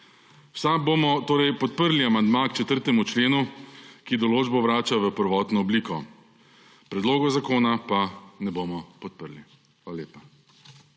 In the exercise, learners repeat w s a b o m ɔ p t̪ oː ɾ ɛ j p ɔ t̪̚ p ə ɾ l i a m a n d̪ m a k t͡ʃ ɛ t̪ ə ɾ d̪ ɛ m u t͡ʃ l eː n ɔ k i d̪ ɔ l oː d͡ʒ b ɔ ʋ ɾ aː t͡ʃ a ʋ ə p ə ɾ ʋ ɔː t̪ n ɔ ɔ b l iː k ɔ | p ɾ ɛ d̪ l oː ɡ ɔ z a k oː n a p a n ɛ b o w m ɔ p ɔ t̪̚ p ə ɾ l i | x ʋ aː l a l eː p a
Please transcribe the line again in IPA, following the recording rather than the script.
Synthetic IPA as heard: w s a b o m ɔ t̪ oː ɾ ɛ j p ɔ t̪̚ p ə ɾ l i a m a n d̪ m a k t͡ʃ ɛ t̪ ə ɾ t̪ ɛ m u t͡ʃ l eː n u k i d̪ ɔ l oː d͡ʒ b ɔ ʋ ɾ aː t͡ʃ a ʋ ə p ə ɾ ʋ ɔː t̪ n ɔ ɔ b l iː k ɔ | p ɾ ɛ d̪ l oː ɡ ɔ z a k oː n a p a n ɛ b o m ɔ p ɔ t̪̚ p ə ɾ l i | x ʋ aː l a l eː p a

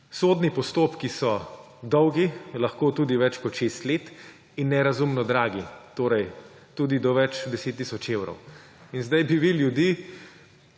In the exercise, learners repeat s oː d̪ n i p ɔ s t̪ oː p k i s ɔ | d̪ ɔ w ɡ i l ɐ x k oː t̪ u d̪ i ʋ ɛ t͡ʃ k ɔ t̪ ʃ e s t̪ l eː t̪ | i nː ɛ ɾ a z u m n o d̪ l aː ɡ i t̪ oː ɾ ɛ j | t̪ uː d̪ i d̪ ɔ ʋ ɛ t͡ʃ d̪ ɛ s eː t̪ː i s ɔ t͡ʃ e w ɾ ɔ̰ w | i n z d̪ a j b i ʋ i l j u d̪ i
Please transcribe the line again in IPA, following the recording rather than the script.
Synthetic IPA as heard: s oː d̪ n i p ɔ s t̪ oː p k i s ɔ | d̪ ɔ w ɡ i l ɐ x k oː t̪ u d̪ i ʋ ɛ t͡ʃ k ɔ t̪ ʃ e s t̪ l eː t̪ | i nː ɛ ɾ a z u m n ɔ d̪ ɾ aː ɡ i t̪ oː ɾ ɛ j | t̪ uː d̪ i d̪ ɔ ʋ ɛ t͡ʃ d̪ ɛ s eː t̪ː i s ɔ t͡ʃ e w ɾ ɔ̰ w | i n z d̪ a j b i ʋ i l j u d̪ i

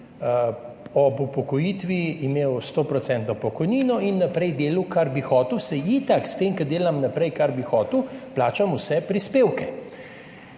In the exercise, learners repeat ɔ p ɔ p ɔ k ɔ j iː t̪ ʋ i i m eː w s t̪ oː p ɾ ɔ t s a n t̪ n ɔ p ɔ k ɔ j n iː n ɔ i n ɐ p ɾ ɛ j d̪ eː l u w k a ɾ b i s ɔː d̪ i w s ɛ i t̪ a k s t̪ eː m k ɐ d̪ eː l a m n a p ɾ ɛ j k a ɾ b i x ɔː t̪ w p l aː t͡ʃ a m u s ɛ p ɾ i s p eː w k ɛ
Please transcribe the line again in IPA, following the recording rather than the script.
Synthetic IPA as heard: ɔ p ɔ p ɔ k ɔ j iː t̪ ʋ i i m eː w s t̪ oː p ɾ ɔ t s ɛ n t̪ n ɔ p ɔ k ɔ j n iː n ɔ i nː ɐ p ɾ ɛ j d̪ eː l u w k a ɾ b i x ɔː t̪ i w s ɛ i t̪ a k s t̪ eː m k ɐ d̪ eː l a m n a p ɾ ɛ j k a ɾ b i x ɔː t̪ w p l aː t͡ʃ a m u s ɛ p ɾ i s p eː w k ɛ

